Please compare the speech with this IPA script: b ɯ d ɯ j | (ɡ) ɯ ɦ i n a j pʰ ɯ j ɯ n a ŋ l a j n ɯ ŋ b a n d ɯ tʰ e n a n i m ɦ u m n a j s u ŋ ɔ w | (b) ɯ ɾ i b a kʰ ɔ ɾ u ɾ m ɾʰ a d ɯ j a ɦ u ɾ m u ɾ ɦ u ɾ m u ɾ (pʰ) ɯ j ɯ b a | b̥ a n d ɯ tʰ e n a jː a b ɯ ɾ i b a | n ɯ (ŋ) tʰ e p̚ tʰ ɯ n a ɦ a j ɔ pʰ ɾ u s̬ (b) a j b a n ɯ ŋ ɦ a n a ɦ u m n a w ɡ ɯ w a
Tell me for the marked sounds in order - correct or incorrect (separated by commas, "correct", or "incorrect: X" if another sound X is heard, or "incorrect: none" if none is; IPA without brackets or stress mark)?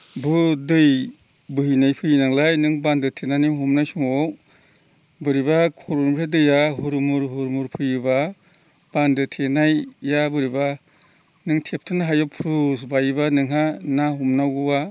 incorrect: b, correct, correct, correct, correct